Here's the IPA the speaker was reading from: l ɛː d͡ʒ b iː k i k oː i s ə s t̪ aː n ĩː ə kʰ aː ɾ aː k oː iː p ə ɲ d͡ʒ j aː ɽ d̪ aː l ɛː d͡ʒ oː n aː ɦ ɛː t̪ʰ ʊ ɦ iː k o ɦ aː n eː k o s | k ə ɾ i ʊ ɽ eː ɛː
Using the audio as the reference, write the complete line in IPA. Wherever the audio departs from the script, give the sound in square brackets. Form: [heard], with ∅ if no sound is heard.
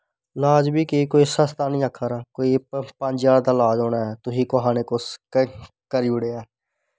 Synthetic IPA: l [aː] d͡ʒ b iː k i k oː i s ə s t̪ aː n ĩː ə kʰ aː ɾ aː k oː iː p ə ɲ d͡ʒ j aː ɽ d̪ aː l [aː] d͡ʒ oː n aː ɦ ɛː [t̪] ʊ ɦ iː k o ɦ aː n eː k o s | k ə ɾ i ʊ ɽ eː ɛː

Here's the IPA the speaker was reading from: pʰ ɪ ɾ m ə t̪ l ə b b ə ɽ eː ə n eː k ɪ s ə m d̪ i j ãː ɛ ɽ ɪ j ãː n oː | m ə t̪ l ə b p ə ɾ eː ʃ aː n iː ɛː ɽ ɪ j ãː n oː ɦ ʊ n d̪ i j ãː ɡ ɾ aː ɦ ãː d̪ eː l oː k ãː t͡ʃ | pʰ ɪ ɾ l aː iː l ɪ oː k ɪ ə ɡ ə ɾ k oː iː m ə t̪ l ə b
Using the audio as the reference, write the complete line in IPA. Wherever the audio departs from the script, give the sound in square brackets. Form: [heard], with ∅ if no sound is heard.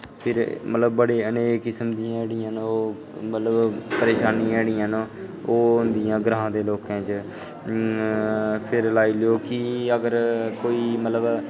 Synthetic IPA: pʰ ɪ ɾ m ə t̪ l ə b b ə ɽ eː ə n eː k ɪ s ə m d̪ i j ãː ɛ ɽ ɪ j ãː n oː | m ə t̪ l ə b p ə ɾ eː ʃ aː n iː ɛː ɽ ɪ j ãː n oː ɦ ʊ n d̪ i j ãː ɡ ɾ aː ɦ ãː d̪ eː l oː k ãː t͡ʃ | pʰ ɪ ɾ l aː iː l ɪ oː k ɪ ə ɡ ə ɾ k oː iː m ə t̪ l ə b

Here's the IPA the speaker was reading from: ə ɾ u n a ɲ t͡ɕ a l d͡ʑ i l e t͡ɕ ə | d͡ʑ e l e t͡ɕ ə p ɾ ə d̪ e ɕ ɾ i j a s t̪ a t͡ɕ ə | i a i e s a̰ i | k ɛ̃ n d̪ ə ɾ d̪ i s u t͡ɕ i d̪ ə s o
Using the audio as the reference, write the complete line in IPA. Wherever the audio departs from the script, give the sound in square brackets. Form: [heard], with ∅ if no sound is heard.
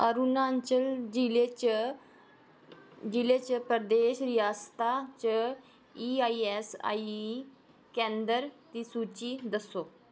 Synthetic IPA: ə ɾ u n a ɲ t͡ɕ [ə] l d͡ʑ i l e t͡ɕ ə | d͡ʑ [i] l e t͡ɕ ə p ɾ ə d̪ e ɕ ɾ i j a s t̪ a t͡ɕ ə | i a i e s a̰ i | k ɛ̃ n d̪ ə ɾ [t̪] i s u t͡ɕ i d̪ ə s o

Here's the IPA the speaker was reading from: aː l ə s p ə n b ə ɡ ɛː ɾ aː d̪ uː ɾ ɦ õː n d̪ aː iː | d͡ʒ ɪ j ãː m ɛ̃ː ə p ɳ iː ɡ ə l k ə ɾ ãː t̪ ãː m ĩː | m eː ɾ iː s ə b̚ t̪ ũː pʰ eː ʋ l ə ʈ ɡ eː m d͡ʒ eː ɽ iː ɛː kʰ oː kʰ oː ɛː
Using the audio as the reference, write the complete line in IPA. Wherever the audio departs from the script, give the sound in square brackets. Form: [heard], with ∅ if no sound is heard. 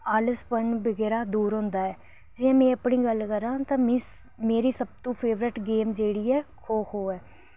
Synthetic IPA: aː l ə s p ə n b ə ɡ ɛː ɾ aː d̪ uː ɾ ɦ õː n d̪ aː [ɛː] | d͡ʒ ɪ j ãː m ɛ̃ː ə p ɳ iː ɡ ə l k ə ɾ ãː t̪ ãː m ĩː | m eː ɾ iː s ə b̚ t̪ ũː pʰ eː ʋ [ɾ] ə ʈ ɡ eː m d͡ʒ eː ɽ iː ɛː kʰ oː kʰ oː ɛː

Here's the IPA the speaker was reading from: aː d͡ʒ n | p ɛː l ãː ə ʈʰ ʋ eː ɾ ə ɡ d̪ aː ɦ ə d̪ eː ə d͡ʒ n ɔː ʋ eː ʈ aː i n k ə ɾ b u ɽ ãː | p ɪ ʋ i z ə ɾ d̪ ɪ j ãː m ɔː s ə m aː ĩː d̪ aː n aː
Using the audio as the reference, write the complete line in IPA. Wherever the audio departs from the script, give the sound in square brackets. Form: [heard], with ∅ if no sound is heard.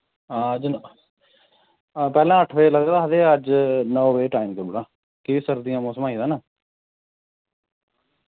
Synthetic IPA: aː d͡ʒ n | p ɛː l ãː ə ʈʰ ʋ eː [l] ə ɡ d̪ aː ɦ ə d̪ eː ə d͡ʒ n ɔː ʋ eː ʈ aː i [m] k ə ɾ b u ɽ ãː | [k] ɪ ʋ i [s] ə ɾ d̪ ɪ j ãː m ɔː s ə m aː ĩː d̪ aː n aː

